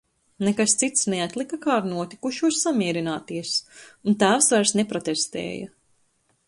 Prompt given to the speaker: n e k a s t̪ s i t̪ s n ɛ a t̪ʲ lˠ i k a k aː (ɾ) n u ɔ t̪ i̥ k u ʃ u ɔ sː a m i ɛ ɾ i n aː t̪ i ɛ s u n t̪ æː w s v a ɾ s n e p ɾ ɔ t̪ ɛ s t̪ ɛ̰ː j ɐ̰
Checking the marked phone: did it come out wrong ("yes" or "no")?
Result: no